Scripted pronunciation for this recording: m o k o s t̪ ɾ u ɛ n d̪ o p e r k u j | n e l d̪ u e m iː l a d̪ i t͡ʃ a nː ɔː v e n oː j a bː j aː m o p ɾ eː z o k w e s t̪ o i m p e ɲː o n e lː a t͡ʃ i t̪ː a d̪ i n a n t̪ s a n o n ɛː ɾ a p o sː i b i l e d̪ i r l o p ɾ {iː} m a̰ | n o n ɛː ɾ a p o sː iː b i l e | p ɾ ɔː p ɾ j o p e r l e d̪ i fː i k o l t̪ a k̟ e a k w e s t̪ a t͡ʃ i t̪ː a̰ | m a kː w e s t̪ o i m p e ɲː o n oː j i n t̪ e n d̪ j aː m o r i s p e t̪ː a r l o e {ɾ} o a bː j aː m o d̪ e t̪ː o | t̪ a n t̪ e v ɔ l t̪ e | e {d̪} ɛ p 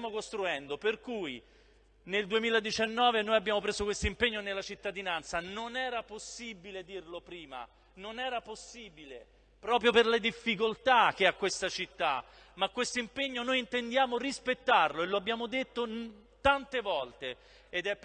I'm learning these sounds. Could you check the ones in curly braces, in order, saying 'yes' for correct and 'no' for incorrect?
yes, no, yes

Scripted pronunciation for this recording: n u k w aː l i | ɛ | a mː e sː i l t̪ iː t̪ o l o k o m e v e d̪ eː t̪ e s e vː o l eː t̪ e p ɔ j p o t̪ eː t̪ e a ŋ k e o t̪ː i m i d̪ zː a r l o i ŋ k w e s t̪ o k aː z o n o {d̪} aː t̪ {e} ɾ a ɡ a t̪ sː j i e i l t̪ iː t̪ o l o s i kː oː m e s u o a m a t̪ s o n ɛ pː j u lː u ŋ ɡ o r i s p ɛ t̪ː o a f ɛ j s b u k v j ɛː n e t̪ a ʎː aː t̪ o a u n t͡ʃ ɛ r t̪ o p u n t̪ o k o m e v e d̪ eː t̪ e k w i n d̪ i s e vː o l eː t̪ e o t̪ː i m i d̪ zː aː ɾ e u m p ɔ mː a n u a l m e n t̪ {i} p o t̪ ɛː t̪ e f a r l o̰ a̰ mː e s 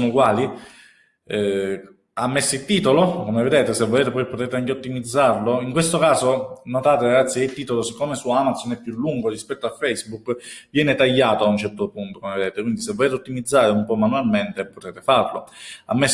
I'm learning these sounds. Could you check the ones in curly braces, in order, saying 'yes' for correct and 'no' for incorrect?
no, yes, no

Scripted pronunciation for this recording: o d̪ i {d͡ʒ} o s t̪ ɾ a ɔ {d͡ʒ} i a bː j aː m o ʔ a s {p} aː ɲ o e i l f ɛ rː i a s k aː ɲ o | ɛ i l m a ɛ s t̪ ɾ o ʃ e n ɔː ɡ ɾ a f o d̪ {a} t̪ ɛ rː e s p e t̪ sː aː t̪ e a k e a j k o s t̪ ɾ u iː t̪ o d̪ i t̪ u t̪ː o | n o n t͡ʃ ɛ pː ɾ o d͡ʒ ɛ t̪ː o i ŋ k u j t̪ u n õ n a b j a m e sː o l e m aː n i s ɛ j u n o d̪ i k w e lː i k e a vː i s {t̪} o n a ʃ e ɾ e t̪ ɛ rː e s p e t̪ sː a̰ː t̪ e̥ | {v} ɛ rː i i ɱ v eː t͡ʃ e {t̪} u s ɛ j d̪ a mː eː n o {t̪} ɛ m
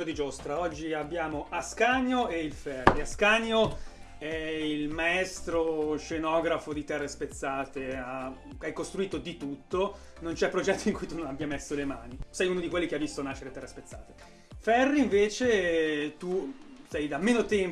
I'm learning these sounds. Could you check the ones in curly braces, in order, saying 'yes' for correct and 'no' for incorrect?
yes, no, no, no, yes, no, yes, yes

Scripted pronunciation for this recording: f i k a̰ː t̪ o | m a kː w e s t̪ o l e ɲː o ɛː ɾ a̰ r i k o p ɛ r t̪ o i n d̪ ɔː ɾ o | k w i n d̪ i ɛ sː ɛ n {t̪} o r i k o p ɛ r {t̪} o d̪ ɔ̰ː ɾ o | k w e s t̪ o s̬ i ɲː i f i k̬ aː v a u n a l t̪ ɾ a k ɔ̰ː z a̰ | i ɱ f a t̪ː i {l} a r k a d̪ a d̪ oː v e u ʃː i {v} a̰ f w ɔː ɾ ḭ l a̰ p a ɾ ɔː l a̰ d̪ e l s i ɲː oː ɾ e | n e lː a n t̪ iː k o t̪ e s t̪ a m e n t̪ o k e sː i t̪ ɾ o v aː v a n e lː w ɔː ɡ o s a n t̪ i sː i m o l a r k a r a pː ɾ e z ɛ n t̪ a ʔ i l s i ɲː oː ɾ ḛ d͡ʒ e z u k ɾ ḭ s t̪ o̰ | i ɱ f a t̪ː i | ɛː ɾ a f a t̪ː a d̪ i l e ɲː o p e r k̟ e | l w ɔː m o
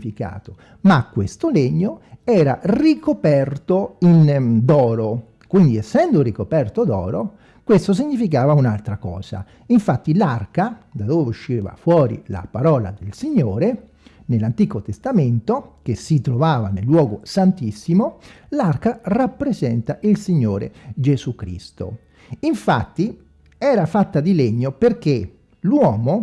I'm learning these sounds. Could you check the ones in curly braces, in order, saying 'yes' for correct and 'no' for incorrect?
no, yes, yes, yes

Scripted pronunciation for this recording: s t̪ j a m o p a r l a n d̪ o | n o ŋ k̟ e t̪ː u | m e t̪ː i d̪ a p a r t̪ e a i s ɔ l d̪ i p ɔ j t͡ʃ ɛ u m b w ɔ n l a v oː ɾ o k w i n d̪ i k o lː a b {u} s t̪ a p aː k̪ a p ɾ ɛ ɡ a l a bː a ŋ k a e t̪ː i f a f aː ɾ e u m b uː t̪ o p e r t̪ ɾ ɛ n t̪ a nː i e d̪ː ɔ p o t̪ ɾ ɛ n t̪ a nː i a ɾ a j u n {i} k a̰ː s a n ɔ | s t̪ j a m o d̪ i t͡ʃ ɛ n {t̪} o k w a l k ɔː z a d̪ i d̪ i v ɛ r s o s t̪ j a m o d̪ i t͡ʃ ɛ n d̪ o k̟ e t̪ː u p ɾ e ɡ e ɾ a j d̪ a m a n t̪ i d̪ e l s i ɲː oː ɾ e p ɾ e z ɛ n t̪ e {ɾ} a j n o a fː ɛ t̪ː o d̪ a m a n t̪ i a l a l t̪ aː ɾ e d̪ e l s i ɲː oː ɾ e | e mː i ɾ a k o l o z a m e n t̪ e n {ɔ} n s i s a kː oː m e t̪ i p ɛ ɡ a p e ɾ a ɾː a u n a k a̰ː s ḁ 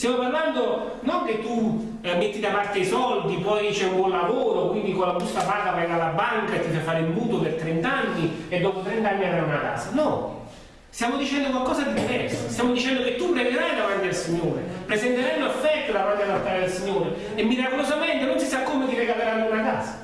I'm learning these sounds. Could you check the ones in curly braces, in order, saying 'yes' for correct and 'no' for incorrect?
yes, no, no, yes, no

